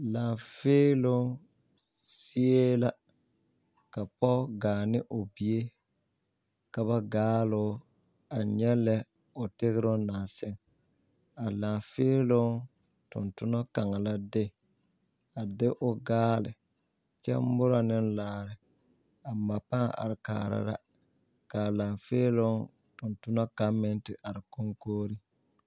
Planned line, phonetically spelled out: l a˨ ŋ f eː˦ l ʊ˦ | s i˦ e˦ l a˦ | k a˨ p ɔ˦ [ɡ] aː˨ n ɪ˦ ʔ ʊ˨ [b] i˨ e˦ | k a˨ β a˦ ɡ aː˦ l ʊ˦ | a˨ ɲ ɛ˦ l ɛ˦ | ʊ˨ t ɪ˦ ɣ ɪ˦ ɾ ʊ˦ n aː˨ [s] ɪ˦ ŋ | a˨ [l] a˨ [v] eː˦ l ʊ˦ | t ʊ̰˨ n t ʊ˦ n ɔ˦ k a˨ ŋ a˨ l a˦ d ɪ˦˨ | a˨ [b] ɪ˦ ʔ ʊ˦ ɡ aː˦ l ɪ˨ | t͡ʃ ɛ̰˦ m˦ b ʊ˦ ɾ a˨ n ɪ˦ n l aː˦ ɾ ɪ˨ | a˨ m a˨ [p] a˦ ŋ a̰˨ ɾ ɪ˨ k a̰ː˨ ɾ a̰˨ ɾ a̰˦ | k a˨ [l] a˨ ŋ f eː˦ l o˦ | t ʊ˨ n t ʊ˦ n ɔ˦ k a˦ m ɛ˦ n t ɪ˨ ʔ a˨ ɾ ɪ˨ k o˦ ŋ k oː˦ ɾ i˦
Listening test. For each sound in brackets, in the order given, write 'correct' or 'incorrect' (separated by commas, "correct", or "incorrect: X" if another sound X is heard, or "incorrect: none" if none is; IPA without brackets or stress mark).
correct, correct, correct, correct, incorrect: f, incorrect: d, correct, correct